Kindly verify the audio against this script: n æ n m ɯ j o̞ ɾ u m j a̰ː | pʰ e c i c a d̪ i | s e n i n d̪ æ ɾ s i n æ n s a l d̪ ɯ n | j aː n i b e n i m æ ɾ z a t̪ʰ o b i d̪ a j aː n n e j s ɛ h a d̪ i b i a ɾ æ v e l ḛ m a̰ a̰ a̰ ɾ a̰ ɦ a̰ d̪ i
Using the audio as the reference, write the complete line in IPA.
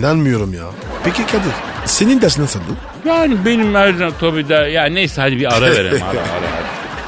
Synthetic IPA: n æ n m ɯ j o̞ ɾ u m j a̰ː | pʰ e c i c a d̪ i | s e n i n d̪ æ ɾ s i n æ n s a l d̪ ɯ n | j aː n i b e n i m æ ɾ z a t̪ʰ o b i d̪ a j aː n n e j s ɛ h a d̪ i b i a ɾ a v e ɾ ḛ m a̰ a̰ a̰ ɾ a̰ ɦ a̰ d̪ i